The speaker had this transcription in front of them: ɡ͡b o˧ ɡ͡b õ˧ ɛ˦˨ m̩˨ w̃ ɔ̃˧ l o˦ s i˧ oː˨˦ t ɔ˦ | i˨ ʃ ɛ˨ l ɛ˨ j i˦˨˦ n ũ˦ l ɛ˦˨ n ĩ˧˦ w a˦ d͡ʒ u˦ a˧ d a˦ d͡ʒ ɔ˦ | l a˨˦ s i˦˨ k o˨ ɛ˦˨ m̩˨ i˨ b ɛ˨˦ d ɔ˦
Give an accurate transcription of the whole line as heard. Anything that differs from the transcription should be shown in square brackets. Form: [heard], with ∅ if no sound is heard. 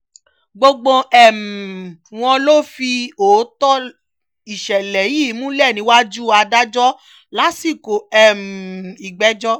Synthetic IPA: ɡ͡b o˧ ɡ͡b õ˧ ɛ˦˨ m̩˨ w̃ ɔ̃˧ l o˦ [f] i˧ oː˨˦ t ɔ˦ | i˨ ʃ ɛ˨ l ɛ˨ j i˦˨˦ [m] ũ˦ l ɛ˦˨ n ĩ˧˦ w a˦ d͡ʒ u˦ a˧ d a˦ d͡ʒ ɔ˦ | l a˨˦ s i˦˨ k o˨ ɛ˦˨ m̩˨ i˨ [ɡ͡b] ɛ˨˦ [d͡ʒ] ɔ˦